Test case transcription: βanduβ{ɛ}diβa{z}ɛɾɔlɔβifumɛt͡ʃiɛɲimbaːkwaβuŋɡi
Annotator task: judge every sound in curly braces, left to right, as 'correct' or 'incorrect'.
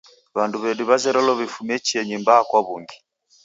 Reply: correct, correct

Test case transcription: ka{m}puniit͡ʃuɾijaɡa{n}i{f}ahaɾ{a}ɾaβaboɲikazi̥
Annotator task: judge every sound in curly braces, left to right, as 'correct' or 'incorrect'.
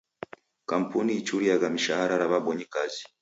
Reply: correct, incorrect: m, incorrect: ʃ, correct

